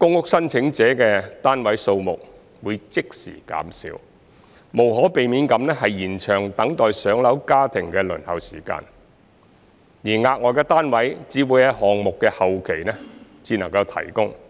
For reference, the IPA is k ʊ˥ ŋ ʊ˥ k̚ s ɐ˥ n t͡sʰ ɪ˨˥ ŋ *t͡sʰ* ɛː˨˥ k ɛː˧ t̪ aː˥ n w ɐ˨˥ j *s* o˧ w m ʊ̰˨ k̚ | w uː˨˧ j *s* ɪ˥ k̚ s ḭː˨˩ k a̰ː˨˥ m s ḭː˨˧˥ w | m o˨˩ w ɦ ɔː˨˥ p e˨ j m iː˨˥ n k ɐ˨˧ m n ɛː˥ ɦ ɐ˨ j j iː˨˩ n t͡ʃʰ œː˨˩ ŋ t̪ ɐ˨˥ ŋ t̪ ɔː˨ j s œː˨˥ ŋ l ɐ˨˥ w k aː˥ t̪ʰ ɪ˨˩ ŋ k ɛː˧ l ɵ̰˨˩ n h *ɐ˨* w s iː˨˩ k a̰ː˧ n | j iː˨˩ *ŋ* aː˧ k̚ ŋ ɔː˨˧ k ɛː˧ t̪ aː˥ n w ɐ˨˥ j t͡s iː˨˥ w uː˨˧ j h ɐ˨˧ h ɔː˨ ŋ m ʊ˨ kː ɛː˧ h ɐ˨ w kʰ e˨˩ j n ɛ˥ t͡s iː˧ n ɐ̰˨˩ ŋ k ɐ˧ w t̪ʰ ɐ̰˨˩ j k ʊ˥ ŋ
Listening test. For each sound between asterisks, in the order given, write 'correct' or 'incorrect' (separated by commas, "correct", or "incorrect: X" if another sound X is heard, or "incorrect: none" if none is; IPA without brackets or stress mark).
incorrect: t͡s, correct, incorrect: t͡s, correct, correct